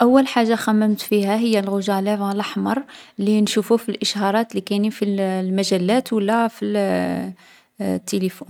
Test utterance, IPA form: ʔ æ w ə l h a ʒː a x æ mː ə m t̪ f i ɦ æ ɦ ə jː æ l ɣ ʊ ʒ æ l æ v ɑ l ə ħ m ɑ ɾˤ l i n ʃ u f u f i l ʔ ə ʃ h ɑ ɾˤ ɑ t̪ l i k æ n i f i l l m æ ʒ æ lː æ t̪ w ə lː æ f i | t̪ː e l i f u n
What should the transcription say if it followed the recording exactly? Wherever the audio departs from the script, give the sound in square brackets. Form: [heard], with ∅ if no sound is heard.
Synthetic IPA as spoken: ʔ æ [wː] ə l [ħ] a ʒː a x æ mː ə m t̪ f i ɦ æ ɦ ə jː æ l ɣ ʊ ʒ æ l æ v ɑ l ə ħ m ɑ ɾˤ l i n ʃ u f u f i l ʔ ə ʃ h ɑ ɾˤ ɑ t̪ l i k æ n i f i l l m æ ʒ æ lː æ t̪ w ə lː æ f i | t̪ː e l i f u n

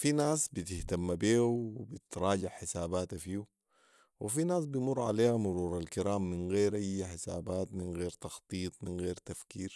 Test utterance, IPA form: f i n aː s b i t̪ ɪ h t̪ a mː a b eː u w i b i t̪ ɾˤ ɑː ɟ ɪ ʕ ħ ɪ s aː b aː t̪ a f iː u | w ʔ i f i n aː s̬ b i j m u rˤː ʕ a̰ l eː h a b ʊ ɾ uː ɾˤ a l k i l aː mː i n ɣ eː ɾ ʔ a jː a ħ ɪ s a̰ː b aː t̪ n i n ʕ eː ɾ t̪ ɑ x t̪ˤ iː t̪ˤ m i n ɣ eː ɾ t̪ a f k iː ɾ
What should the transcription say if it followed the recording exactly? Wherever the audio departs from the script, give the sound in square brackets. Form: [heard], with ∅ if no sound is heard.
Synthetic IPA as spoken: f i n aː s b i t̪ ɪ h t̪ a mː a b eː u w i b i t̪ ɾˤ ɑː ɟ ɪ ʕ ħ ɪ s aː b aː t̪ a f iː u | w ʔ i f i n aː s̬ b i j m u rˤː ʕ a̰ l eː h a [m] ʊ ɾ uː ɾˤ a l k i [ɾ] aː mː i n ɣ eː ɾ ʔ a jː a ħ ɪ s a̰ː b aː t̪ [m] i n [ɣ] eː ɾ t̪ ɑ x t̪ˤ iː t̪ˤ m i n ɣ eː ɾ t̪ a f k iː ɾ

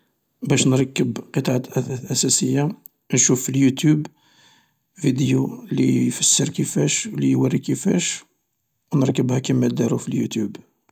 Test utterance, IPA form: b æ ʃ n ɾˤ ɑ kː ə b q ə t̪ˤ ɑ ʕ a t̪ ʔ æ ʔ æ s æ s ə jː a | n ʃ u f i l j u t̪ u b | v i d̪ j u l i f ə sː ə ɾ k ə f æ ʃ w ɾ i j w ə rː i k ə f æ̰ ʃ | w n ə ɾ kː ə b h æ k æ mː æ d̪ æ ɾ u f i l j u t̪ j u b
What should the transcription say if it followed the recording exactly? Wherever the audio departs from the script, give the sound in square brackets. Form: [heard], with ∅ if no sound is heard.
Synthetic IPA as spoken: b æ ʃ n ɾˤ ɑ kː ə b q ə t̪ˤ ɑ ʕ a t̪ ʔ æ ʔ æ s æ s ə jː a | n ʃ u f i l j u t̪ u b | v i d̪ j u l i f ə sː ə ɾ k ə f æ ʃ w [l] i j w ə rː i k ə f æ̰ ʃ | w n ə ɾ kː ə b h æ k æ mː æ d̪ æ ɾ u f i l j u t̪ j u b

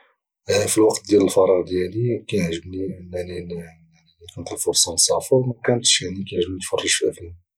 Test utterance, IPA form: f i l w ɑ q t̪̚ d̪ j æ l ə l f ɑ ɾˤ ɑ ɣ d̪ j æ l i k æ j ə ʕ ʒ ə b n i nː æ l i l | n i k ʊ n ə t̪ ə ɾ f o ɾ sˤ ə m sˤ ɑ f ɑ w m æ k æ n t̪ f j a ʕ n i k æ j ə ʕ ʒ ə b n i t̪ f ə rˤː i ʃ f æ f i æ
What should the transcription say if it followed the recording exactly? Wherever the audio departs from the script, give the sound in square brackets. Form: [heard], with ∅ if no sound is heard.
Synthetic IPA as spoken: f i l w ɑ q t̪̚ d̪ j æ l ə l f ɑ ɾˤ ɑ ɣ d̪ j æ l i k æ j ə ʕ ʒ ə b n i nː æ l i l | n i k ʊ n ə t̪ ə [l] f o ɾ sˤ [ɑ] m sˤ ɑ f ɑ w m æ k æ n t̪ [ʃ] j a ʕ n i k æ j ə ʕ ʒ ə b n i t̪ f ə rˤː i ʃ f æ f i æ

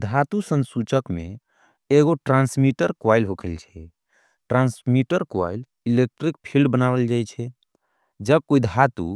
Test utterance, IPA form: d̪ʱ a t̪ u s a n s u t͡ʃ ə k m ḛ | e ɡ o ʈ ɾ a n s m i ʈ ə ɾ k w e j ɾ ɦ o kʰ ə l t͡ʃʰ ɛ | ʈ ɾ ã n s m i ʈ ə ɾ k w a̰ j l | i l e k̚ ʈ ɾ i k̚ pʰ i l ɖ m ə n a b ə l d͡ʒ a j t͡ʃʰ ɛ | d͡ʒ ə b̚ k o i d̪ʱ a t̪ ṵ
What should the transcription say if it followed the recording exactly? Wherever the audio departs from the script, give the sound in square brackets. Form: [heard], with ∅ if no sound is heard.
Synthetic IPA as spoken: d̪ʱ a t̪ u s [ə] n s u t͡ʃ ə k m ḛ | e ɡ o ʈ ɾ a n s m i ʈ ə ɾ k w [a] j [l] ɦ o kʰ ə l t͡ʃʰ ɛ | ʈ ɾ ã n s m i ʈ ə ɾ k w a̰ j l | i l e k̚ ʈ ɾ i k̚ pʰ i l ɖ [b] ə n a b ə l d͡ʒ a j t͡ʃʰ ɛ | d͡ʒ ə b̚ k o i d̪ʱ a t̪ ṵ

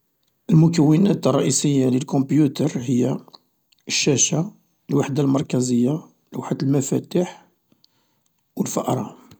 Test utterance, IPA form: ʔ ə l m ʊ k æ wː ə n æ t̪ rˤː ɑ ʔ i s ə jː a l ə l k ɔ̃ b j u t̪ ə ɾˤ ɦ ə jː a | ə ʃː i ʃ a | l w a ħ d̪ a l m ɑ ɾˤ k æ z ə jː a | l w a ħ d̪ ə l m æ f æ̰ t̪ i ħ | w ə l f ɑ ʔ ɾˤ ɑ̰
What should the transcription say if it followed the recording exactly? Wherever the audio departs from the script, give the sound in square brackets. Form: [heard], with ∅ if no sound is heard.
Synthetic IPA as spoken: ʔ ə l m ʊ k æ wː ə n æ t̪ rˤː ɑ ʔ i s ə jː a l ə l k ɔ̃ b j u t̪ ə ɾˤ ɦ ə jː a | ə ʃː [æ] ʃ a | l w a ħ d̪ a l m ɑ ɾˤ k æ z ə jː a | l w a ħ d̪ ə l m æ f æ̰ t̪ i ħ | w ə l f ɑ ʔ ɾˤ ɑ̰

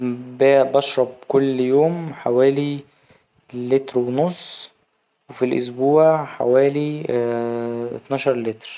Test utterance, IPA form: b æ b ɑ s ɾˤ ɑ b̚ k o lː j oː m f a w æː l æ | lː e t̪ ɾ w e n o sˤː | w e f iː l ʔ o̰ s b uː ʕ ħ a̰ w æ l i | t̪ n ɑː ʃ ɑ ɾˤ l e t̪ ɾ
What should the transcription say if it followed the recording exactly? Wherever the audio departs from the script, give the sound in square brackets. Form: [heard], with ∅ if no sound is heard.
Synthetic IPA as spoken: b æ b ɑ [ʃ] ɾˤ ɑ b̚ k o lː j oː m [ħ] a w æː l [i] | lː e t̪ ɾ w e n o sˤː | w e f [i] l ʔ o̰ s b uː ʕ ħ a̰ w [æː] l i | t̪ n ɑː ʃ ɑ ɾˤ l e t̪ ɾ

